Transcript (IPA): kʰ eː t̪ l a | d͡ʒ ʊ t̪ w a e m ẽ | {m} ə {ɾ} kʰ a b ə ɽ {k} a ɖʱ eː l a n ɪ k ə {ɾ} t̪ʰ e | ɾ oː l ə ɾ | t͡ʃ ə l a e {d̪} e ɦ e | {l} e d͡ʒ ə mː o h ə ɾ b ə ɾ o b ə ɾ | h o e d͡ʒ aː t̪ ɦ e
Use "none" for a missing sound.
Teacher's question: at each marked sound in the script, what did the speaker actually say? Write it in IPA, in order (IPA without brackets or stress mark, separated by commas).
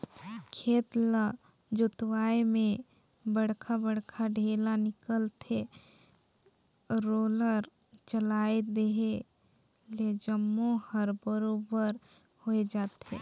b, ɽ, kʰ, l, d̪, l